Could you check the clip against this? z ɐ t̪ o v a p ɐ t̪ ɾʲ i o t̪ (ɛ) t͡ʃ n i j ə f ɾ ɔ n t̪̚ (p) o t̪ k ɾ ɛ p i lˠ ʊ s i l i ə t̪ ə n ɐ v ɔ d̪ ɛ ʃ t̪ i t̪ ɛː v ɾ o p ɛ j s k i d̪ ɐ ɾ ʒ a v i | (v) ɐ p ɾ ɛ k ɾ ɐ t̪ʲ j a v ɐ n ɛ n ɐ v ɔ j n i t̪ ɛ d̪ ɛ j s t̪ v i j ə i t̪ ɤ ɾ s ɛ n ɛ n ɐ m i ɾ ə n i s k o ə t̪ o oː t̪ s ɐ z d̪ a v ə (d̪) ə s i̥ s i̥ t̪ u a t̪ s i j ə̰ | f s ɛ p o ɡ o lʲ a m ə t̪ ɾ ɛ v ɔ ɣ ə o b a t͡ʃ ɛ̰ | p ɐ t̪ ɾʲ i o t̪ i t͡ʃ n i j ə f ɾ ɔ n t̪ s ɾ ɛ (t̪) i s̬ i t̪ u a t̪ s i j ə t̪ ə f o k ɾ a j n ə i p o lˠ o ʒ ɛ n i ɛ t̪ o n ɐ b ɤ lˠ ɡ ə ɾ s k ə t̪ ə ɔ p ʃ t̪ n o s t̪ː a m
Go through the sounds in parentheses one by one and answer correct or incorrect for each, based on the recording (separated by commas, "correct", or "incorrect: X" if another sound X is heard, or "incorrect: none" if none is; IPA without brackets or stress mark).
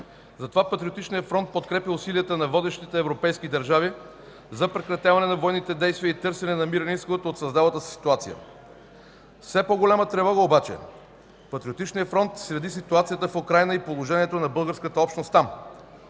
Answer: incorrect: i, correct, incorrect: z, incorrect: t̪, incorrect: d̪